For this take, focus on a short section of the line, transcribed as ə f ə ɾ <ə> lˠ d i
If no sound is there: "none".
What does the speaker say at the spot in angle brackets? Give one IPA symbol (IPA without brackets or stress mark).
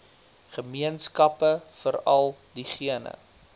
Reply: ɐ